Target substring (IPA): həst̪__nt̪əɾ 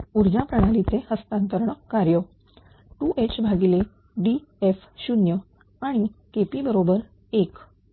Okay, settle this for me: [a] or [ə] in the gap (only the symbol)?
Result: a